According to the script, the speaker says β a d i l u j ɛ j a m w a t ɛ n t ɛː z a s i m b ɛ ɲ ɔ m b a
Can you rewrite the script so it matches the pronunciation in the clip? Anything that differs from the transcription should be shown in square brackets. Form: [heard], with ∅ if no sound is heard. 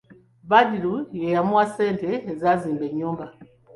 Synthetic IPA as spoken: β a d i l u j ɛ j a m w a [s] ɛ n t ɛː z a [z] i m b ɛ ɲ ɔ m b a